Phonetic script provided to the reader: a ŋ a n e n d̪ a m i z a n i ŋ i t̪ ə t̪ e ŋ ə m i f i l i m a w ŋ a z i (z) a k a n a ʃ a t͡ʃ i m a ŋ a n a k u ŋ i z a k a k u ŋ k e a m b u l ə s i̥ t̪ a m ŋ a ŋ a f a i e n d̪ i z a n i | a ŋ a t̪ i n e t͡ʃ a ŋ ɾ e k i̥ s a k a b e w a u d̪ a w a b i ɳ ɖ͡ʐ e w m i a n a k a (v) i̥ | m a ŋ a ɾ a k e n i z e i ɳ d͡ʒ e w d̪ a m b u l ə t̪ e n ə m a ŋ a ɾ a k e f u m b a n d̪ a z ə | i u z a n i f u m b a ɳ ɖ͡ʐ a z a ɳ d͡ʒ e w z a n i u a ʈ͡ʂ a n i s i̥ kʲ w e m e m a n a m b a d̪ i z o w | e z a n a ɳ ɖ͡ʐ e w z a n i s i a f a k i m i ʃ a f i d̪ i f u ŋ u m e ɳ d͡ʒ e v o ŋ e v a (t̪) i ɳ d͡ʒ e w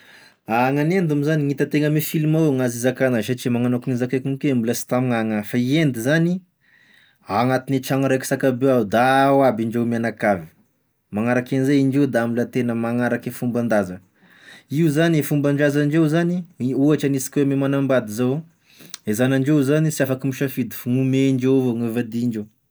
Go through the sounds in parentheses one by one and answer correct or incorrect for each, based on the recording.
correct, correct, incorrect

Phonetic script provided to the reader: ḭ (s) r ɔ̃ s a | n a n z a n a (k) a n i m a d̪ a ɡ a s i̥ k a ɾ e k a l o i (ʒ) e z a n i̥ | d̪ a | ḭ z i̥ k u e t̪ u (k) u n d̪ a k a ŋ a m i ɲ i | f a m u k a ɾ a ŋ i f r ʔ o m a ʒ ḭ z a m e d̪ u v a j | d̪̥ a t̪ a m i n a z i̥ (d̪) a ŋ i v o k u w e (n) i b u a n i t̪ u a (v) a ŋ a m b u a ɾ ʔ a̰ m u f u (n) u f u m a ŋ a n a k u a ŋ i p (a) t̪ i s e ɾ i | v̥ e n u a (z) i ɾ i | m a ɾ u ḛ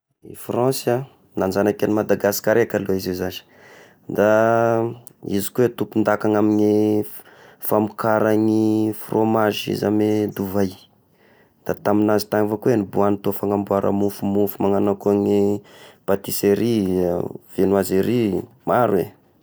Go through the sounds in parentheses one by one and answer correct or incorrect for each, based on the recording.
incorrect, correct, incorrect, incorrect, incorrect, correct, incorrect, incorrect, correct, correct

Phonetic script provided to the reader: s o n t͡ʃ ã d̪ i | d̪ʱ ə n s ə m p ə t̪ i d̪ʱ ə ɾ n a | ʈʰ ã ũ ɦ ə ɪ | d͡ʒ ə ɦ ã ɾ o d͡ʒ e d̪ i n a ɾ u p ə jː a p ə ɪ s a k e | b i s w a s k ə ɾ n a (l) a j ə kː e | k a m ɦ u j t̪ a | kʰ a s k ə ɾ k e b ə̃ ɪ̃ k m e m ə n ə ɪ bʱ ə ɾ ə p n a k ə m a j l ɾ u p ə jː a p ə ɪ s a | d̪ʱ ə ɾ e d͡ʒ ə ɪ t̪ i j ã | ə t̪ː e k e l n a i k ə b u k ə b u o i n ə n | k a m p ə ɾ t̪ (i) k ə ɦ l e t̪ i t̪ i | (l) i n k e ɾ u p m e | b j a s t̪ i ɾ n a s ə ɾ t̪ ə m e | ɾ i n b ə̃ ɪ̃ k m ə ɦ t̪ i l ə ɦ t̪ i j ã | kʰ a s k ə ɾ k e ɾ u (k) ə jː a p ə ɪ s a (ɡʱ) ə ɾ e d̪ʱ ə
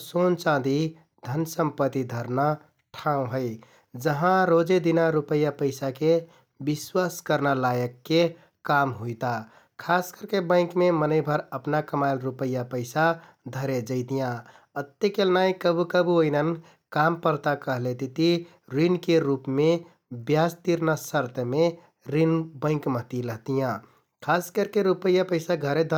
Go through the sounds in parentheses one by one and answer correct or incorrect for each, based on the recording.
correct, incorrect, incorrect, incorrect, correct

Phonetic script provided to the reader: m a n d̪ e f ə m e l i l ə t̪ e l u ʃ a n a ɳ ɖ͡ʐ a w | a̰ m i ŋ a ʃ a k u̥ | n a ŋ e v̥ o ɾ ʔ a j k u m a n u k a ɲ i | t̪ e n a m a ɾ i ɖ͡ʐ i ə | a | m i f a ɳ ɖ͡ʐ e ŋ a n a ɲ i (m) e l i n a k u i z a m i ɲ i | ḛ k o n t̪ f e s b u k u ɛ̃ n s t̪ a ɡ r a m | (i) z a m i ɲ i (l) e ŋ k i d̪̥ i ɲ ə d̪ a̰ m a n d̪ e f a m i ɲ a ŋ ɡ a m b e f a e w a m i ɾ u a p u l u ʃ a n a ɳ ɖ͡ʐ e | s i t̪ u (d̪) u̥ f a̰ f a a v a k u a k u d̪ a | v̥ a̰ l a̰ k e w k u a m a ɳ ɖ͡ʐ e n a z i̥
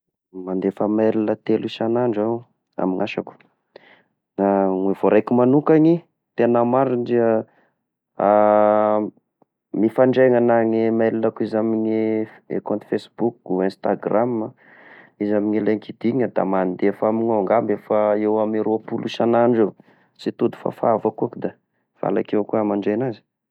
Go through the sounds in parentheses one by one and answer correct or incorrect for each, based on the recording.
correct, correct, correct, correct

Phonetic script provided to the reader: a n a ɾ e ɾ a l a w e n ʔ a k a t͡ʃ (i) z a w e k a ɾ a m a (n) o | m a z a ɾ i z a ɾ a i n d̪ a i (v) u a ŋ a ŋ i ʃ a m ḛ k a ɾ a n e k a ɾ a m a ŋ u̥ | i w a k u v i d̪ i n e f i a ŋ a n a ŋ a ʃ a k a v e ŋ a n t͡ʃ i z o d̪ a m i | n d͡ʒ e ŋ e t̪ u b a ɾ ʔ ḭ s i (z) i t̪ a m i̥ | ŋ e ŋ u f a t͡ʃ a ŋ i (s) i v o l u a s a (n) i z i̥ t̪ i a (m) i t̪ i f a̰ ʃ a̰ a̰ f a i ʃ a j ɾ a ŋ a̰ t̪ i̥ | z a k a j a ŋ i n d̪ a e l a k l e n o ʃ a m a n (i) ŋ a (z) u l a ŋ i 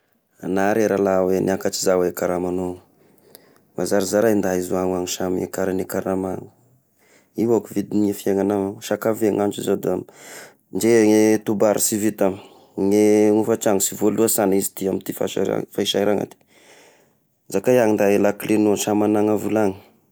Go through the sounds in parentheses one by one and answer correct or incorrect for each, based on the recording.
correct, correct, incorrect, incorrect, correct, correct, correct, incorrect, incorrect

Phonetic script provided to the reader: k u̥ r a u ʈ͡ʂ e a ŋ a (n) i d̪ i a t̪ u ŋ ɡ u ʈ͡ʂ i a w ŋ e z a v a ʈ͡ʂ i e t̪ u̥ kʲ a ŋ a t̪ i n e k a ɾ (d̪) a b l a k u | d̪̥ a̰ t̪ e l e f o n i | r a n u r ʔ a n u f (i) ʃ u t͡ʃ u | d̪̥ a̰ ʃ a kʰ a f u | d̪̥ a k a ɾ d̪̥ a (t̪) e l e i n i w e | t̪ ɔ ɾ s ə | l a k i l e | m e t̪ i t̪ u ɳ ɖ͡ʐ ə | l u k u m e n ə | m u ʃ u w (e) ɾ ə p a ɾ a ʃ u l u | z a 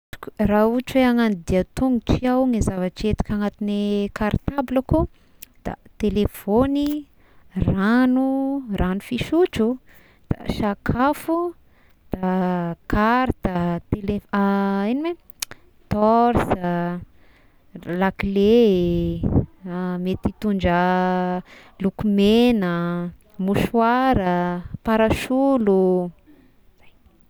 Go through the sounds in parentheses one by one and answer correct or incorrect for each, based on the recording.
correct, incorrect, correct, correct, incorrect

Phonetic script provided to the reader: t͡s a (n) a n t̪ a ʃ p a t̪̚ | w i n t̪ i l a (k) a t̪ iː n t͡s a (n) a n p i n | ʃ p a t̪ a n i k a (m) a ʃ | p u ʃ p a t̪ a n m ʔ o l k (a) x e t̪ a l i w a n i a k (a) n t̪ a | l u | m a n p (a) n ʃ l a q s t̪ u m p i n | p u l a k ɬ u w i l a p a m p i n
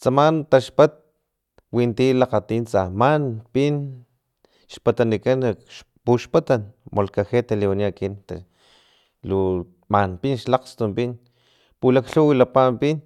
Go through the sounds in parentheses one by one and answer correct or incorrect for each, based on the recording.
incorrect, incorrect, incorrect, incorrect, correct, incorrect, incorrect

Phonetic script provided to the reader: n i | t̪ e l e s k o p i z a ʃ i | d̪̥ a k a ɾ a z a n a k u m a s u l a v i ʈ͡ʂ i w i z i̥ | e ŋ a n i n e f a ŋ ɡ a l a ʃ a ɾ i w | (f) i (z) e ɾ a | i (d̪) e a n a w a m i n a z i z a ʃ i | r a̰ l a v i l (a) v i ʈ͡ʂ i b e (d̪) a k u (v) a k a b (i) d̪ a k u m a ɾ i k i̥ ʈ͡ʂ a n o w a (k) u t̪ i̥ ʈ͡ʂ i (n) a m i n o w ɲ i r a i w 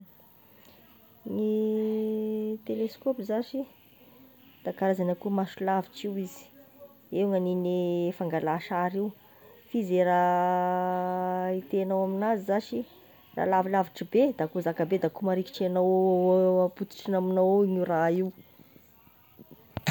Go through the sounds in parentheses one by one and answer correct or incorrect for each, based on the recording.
correct, correct, incorrect, correct, correct, incorrect, incorrect, incorrect, correct

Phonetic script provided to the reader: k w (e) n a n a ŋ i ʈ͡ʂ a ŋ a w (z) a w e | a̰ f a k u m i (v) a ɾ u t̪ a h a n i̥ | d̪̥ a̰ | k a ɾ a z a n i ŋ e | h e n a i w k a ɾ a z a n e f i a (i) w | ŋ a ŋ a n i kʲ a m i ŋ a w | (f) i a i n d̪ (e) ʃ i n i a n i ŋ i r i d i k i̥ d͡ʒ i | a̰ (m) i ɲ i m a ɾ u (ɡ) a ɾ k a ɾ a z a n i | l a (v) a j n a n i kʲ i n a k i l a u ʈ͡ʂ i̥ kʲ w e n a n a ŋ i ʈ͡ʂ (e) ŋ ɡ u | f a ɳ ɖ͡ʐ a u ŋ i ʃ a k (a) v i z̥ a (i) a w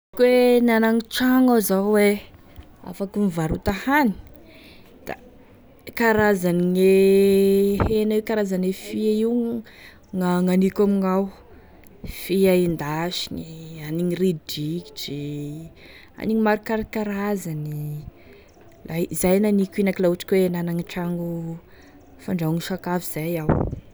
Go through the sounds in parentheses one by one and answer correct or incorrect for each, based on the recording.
correct, correct, correct, correct, correct, incorrect, incorrect, incorrect, incorrect, incorrect, correct, incorrect

